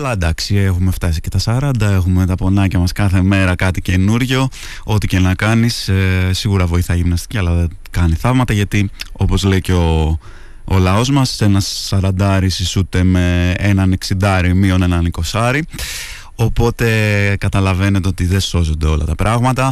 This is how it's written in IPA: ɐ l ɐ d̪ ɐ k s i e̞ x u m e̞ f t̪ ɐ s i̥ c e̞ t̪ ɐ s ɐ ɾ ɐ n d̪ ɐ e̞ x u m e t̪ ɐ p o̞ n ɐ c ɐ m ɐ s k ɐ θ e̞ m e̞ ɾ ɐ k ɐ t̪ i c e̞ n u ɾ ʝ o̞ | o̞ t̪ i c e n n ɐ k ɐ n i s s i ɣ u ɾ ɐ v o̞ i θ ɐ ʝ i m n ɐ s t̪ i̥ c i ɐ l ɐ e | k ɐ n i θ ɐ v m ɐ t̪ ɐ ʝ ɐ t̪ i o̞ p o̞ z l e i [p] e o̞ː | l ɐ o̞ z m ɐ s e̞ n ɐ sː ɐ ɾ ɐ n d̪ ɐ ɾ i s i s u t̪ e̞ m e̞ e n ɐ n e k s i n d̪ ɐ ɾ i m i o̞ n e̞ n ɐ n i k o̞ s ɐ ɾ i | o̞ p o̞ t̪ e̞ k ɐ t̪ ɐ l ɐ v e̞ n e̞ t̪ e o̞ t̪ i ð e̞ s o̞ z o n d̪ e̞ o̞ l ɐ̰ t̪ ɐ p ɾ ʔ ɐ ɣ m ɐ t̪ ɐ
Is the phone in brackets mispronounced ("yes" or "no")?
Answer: yes